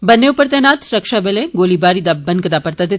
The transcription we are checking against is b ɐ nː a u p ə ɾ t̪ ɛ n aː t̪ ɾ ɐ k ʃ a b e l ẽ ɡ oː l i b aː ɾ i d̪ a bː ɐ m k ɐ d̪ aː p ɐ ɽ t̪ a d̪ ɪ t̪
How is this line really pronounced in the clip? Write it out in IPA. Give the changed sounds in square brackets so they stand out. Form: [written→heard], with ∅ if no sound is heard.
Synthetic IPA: b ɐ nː [a→e] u p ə ɾ t̪ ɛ n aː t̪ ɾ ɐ k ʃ a b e l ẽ ɡ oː l i b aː ɾ i d̪ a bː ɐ [m→n] k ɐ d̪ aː p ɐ [ɽ→ɾ] t̪ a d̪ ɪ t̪